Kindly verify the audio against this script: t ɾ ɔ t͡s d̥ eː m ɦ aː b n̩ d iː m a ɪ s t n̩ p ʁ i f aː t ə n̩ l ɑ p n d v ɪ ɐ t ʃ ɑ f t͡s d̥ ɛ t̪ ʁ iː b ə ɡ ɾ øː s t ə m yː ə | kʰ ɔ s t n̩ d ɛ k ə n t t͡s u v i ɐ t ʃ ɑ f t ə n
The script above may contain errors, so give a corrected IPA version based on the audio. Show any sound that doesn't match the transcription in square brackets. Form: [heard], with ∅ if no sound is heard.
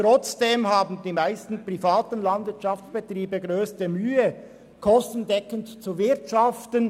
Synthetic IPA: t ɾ ɔ t͡s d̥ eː m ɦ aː b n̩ d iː m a ɪ s t n̩ p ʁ i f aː t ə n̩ l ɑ [∅] n d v ɪ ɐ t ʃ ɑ f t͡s [b̥] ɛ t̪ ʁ iː b ə ɡ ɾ øː s t ə m yː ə | kʰ ɔ s t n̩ d ɛ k ə n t t͡s u v [ɪ] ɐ t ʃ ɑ f t ə n